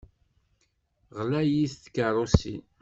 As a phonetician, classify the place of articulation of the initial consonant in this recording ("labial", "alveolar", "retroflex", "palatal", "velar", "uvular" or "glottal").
uvular